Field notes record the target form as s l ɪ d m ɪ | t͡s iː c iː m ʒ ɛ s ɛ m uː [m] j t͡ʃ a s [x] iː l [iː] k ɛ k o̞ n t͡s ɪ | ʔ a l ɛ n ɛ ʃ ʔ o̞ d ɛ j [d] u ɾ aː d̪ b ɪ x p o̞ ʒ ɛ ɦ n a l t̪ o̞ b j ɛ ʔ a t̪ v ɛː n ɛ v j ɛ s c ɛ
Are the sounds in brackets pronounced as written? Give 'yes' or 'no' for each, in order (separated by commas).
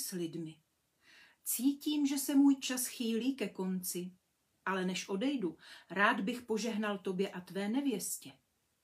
no, yes, yes, yes